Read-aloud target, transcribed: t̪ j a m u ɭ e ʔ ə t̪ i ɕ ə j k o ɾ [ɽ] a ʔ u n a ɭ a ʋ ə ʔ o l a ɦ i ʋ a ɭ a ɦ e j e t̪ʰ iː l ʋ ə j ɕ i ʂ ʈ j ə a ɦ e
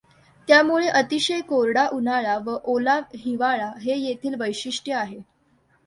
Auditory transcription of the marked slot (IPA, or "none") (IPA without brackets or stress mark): ɽ